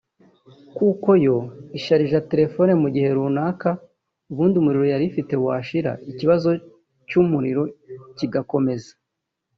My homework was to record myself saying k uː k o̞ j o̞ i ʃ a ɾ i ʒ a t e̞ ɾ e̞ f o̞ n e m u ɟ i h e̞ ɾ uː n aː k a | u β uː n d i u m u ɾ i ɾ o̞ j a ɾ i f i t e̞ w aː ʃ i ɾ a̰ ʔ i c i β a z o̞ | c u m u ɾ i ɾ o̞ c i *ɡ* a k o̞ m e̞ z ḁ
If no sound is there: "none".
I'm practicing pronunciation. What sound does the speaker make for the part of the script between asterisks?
ɡ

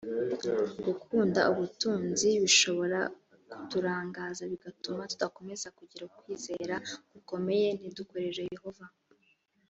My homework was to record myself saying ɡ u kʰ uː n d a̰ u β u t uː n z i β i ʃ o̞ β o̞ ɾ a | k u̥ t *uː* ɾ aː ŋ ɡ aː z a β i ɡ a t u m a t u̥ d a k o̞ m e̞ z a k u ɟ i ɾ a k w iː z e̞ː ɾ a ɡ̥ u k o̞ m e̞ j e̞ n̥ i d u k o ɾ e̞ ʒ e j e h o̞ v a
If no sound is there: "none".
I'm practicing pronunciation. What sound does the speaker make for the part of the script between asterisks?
u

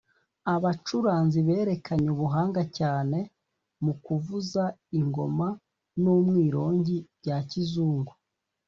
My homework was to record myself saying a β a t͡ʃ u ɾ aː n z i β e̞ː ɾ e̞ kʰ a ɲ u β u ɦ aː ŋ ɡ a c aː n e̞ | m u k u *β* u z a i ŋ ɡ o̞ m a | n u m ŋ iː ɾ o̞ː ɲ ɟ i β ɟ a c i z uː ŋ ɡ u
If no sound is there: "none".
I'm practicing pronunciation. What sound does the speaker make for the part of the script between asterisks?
v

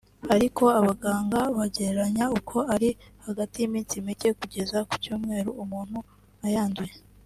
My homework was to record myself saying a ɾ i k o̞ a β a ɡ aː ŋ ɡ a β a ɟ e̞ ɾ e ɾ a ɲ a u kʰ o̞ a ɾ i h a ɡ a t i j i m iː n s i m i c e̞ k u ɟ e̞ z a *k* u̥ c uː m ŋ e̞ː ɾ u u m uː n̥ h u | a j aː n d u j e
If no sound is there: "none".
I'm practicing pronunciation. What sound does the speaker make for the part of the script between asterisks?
k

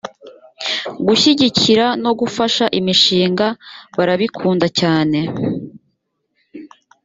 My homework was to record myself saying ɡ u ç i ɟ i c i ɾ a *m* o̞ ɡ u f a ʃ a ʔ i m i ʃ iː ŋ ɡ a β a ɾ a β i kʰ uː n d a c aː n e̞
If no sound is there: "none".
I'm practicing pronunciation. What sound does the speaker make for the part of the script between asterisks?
n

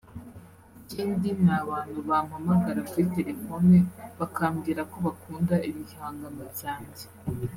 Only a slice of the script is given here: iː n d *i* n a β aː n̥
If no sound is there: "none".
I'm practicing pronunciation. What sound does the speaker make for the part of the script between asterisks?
i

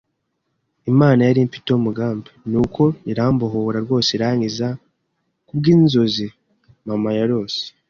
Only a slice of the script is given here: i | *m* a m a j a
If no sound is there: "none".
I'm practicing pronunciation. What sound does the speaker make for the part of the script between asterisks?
m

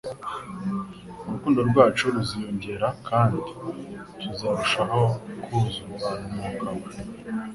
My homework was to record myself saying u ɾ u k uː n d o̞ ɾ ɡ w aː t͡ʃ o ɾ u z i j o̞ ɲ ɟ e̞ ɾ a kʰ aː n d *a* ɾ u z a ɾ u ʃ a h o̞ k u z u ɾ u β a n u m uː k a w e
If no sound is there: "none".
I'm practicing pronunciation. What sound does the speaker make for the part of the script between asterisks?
i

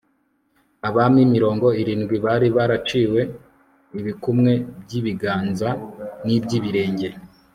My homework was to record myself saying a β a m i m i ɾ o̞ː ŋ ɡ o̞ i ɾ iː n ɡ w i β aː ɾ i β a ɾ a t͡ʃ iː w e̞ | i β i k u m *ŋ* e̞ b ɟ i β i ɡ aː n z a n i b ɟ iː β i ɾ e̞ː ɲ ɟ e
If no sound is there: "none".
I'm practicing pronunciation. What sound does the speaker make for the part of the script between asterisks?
ŋ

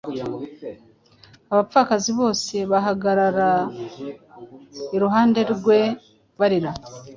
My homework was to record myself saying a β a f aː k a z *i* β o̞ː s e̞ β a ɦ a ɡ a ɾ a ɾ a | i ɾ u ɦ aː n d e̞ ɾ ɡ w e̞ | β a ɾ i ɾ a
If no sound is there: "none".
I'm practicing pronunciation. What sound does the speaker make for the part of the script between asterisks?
i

